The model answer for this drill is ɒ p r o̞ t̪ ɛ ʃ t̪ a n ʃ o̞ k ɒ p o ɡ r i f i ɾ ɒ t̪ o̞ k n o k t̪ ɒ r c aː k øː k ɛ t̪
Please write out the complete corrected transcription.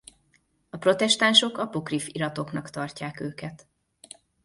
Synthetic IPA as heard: ɒ p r o̞ t̪ ɛ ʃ t̪ a n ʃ o̞ k ɒ p o k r i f i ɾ ɒ t̪ o̞ k n ɒ k t̪ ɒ r c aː k øː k ɛ t̪